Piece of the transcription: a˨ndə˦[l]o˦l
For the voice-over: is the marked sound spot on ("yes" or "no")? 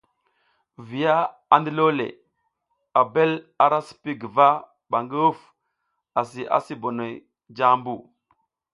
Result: yes